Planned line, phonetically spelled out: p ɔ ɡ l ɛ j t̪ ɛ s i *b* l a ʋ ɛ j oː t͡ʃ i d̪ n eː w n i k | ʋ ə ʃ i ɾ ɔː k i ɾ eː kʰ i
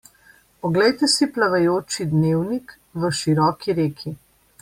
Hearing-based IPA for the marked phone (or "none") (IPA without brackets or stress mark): p